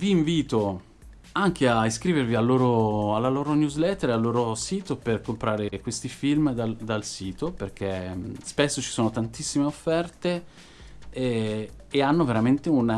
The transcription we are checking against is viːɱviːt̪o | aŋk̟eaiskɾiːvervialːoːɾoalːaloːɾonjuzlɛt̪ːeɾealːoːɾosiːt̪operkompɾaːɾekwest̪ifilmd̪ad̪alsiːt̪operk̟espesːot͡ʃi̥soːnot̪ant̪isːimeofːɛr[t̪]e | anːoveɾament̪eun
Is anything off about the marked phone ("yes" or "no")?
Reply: no